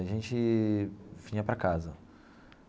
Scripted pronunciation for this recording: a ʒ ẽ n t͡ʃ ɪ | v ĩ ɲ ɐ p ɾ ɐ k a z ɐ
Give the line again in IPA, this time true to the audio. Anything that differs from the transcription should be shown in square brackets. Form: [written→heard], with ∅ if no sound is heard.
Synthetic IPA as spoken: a ʒ ẽ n t͡ʃ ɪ | v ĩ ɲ ɐ p ɾ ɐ k a z ɐ